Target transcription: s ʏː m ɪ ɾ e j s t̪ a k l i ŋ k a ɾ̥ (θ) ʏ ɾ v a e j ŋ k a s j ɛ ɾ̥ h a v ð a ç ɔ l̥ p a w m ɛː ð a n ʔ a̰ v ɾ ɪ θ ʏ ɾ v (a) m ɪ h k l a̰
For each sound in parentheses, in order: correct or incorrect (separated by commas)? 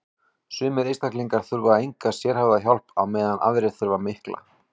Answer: correct, correct